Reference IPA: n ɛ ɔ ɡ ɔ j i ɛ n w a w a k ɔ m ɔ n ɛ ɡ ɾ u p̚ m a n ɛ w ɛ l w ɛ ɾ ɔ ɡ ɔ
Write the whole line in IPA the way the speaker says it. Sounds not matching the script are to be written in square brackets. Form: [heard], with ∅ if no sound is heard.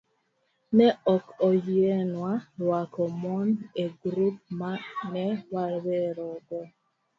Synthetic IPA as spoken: n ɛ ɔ [k] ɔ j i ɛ n w a w a k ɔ m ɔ n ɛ ɡ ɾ u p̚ m a n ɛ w [a] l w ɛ ɾ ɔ ɡ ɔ